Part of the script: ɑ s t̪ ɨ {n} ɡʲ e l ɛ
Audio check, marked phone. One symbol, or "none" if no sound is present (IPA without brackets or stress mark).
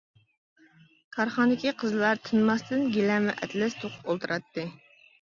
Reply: n